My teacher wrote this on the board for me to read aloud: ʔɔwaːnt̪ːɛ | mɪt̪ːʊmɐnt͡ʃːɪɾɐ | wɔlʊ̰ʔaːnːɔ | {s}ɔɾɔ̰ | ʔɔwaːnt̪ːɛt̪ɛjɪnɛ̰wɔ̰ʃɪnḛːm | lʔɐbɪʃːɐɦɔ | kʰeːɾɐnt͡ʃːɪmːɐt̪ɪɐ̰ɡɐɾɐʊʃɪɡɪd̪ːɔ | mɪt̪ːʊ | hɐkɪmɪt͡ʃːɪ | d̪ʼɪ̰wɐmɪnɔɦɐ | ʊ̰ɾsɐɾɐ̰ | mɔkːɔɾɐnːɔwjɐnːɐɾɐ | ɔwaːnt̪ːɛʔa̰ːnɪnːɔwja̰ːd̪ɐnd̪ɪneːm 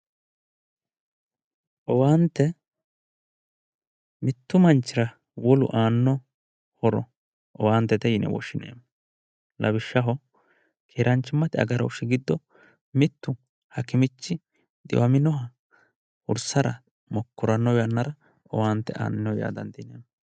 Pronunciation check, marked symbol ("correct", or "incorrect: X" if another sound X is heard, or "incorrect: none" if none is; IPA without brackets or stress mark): incorrect: h